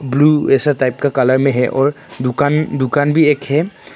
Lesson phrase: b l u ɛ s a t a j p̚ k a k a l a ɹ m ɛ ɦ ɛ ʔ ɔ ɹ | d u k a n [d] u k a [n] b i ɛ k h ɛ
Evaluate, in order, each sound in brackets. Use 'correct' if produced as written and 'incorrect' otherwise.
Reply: correct, correct

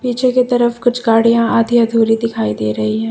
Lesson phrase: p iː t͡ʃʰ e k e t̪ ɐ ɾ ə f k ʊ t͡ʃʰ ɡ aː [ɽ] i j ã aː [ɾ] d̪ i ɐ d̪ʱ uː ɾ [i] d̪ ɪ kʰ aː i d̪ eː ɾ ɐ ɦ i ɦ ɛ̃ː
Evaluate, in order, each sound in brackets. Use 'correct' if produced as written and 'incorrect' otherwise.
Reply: correct, incorrect, correct

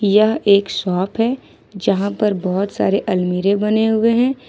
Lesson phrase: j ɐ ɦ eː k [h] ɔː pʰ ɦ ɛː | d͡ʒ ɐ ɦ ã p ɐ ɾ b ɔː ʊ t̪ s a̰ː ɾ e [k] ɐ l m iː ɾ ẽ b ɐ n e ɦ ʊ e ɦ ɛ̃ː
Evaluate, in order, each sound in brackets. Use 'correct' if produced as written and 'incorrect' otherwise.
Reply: incorrect, incorrect

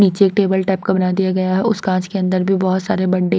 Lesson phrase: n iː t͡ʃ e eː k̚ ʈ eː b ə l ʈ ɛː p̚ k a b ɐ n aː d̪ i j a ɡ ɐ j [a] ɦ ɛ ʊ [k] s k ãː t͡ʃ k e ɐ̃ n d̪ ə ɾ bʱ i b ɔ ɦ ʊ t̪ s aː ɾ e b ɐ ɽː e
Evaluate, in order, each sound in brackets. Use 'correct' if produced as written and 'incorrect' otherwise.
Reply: correct, incorrect

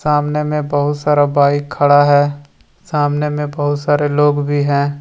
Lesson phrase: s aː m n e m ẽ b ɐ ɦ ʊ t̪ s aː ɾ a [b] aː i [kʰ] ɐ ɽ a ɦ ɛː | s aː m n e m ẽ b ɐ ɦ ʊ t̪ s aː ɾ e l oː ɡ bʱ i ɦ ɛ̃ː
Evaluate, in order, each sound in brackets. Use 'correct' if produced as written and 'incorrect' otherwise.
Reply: correct, correct

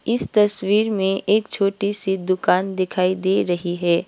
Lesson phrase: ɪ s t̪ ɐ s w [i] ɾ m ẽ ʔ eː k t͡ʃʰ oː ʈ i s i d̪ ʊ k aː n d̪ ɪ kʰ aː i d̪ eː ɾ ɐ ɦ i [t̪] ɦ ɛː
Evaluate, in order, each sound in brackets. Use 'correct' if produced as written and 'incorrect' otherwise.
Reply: incorrect, incorrect

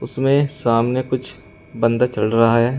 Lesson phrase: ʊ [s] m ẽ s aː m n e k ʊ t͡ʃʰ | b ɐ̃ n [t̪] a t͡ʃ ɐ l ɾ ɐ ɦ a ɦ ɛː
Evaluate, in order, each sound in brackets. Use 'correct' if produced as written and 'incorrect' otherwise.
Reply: correct, incorrect

